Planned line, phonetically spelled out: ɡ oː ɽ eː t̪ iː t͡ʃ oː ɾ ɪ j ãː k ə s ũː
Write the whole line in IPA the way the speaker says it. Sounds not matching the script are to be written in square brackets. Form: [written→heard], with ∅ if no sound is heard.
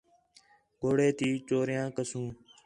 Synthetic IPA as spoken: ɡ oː ɽ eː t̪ iː t͡ʃ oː ɾ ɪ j ãː k ə s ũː